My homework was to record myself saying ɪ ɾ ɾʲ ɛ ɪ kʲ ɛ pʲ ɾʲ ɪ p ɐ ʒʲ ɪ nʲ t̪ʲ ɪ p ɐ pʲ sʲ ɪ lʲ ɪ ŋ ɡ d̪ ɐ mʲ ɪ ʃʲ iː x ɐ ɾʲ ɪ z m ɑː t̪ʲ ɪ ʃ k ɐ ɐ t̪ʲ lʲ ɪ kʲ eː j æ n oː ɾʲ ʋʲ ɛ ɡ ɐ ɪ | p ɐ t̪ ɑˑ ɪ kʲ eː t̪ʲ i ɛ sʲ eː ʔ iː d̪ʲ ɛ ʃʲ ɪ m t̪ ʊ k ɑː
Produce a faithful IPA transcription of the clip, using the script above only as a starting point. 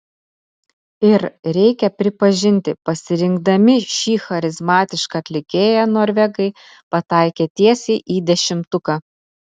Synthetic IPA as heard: ɪ ɾ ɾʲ ɛ ɪ kʲ ɛ pʲ ɾʲ ɪ p ɐ ʒʲ ɪ nʲ t̪ʲ ɪ p ɐ sʲ ɪ ɾʲ ɪ ŋ ɡ d̪ ɐ mʲ ɪ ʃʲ iː x ɐ ɾʲ ɪ z m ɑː t̪ʲ ɪ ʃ k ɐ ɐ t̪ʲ lʲ ɪ kʲ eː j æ n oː ɾʲ ʋʲ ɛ ɡ ɐ ɪ | p ɐ t̪ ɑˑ ɪ kʲ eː t̪ʲ i ɛ sʲ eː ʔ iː d̪ʲ ɛ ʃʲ ɪ m t̪ ʊ k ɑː